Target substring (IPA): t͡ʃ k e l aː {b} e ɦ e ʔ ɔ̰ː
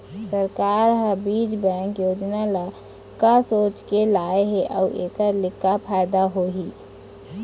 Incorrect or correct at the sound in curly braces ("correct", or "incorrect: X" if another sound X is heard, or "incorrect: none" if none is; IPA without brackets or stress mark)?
incorrect: none